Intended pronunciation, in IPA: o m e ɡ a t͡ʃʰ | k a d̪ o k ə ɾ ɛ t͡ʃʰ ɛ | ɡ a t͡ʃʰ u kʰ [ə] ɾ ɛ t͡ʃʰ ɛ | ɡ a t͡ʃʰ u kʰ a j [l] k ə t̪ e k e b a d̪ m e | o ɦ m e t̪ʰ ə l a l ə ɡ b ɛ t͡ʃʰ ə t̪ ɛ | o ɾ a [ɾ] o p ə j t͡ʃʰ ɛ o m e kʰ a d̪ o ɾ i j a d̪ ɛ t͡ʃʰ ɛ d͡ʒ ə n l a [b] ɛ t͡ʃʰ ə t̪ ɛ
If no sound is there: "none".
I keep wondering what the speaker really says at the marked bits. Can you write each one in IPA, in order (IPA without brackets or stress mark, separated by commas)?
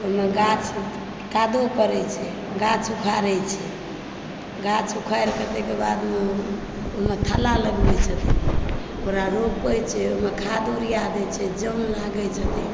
a, ɾ, ɾ, ɡ